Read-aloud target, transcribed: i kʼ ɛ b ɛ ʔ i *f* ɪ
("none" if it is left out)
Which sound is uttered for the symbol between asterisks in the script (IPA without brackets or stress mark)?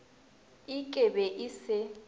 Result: s